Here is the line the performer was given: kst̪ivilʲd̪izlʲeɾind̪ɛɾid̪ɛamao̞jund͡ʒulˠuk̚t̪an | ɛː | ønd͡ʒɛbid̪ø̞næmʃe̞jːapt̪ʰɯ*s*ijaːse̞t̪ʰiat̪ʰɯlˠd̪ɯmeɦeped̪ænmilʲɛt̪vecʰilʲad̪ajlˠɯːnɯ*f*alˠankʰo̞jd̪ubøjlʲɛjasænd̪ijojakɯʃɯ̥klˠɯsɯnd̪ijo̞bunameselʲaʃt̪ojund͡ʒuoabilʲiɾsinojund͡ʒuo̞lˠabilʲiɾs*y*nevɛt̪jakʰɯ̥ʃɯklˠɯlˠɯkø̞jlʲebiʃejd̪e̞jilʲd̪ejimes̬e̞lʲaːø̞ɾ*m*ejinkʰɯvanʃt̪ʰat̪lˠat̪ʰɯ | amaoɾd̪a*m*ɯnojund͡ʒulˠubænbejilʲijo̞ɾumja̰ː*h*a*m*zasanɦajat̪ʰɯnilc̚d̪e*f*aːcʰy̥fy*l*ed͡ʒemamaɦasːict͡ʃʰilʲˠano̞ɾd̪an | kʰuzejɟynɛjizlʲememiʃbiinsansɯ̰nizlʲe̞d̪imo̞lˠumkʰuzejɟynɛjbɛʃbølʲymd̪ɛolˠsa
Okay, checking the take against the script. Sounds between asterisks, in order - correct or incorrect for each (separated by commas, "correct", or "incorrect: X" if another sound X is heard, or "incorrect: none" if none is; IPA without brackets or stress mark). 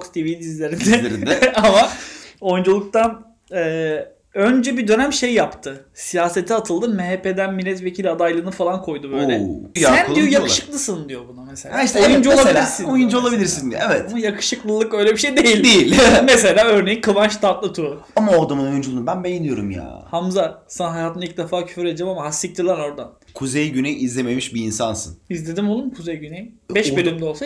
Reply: correct, correct, incorrect: i, incorrect: n, correct, correct, correct, correct, incorrect: ɾ